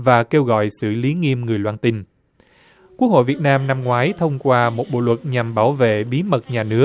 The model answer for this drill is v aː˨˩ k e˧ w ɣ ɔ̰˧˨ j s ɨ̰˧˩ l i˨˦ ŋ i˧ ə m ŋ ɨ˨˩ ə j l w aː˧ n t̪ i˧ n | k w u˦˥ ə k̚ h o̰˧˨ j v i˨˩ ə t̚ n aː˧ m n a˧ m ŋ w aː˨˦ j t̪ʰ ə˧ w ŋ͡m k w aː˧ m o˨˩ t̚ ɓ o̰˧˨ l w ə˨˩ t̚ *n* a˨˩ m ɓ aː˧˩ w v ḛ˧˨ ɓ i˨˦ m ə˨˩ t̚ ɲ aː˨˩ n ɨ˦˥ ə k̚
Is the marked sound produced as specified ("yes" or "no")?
no